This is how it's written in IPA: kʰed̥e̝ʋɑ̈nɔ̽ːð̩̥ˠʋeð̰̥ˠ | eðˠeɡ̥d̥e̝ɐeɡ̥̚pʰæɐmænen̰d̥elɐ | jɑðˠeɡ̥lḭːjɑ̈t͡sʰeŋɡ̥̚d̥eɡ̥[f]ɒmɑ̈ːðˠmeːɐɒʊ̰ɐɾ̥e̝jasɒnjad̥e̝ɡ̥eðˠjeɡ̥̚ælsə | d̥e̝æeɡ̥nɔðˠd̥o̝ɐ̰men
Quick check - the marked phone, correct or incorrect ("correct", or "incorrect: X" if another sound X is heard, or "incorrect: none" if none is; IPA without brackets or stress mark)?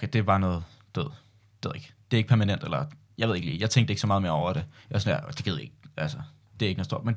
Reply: incorrect: s